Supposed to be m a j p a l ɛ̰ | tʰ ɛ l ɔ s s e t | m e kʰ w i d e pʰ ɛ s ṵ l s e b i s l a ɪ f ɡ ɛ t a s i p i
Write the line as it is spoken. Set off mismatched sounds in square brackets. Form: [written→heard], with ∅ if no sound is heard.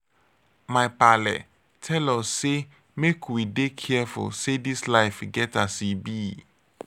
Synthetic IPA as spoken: m a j p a l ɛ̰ | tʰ ɛ l ɔ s s e [t→∅] | m e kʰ w i d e [pʰ→kʰ] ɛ [s→f] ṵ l s e [b→d] i s l a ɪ f ɡ ɛ t a s i [p→b] i